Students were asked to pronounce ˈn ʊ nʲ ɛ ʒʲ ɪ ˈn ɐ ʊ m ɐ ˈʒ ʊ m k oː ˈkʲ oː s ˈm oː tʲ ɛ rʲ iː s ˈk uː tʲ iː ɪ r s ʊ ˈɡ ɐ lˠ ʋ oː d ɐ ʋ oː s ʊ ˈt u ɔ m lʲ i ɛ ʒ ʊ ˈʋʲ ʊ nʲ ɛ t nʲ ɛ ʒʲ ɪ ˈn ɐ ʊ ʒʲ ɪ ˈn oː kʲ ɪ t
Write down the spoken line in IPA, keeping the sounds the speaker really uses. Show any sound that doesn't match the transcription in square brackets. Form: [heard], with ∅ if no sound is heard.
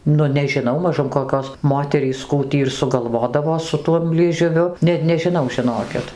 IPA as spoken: ˈn ʊ nʲ ɛ ʒʲ ɪ ˈn ɐ ʊ m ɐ ˈʒ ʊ m k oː ˈkʲ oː s ˈm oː tʲ ɛ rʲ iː s ˈk uː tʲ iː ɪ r s ʊ ˈɡ ɐ lˠ ʋ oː d ɐ ʋ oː s ʊ ˈt u ɔ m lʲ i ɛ ʒ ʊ ˈʋʲ ʊ nʲ ɛ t nʲ ɛ ʒʲ ɪ ˈn ɐ ʊ ʒʲ ɪ ˈn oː kʲ ɪ t